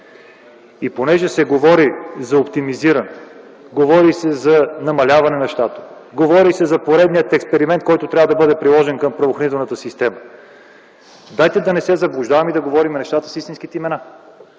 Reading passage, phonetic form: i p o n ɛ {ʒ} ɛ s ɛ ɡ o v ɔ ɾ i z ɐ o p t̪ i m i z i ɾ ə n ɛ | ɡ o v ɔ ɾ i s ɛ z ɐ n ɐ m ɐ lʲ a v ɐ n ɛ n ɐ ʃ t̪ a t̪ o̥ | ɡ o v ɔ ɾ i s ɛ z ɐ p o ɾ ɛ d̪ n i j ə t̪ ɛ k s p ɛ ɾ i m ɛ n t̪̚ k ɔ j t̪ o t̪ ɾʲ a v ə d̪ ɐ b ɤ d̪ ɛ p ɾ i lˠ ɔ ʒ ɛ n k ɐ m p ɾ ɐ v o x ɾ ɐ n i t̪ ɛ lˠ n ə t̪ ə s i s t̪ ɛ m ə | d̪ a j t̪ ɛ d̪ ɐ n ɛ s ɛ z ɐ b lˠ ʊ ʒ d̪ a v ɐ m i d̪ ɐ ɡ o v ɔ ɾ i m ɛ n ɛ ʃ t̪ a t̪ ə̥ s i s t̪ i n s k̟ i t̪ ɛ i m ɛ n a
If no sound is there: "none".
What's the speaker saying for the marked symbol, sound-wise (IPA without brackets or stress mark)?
ʒ